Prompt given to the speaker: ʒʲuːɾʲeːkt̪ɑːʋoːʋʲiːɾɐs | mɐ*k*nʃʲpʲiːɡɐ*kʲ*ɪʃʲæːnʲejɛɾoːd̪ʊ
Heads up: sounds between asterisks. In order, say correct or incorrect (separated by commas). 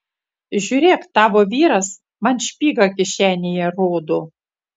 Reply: incorrect, correct